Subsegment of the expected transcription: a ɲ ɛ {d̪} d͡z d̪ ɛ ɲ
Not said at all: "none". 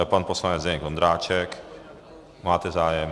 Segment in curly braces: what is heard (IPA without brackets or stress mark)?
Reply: none